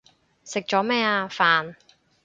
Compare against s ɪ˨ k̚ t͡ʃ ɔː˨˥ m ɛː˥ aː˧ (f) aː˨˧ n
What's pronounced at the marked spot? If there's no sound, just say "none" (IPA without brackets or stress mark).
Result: f